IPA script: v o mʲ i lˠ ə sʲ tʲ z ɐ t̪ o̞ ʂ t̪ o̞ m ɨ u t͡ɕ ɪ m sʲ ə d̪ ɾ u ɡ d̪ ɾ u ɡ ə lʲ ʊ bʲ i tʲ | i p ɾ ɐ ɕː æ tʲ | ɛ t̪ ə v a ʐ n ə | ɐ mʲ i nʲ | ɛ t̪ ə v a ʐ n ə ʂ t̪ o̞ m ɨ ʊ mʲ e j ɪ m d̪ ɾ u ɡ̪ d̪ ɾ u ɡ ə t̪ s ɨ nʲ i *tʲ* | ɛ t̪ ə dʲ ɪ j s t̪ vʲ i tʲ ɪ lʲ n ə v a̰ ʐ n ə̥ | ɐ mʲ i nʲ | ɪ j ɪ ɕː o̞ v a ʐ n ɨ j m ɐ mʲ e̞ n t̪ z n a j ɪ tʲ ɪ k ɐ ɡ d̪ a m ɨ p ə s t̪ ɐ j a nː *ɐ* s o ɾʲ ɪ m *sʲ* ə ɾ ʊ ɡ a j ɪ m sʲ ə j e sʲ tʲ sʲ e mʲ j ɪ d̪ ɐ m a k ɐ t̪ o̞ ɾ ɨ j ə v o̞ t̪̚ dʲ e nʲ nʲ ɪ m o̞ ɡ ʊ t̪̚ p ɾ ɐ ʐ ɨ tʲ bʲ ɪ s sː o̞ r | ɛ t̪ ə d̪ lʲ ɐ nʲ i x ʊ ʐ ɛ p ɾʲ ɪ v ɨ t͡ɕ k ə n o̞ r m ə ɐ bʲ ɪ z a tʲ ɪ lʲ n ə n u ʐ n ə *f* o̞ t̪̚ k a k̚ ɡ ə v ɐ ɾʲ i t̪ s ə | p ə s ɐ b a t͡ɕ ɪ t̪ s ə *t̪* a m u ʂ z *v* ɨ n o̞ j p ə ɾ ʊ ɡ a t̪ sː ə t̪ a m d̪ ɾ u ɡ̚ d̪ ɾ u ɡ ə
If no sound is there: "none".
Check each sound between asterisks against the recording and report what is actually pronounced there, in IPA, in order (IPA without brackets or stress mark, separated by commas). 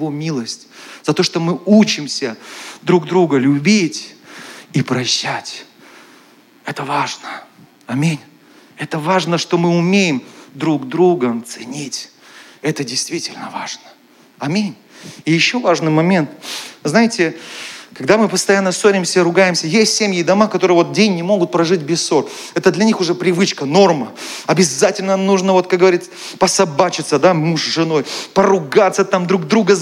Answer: tʲ, ə, sʲ, v, d̪, ʐ